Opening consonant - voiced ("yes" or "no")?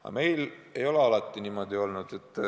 yes